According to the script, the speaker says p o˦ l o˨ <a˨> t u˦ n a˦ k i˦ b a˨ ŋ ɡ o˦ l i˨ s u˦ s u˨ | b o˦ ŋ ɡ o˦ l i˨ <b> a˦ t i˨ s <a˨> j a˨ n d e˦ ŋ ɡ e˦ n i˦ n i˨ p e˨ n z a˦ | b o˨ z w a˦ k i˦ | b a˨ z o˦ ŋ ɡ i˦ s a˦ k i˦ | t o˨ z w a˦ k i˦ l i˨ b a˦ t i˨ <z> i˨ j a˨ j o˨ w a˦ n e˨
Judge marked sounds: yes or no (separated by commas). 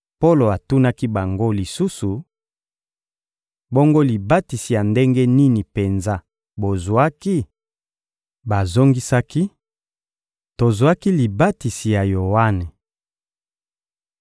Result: yes, yes, no, no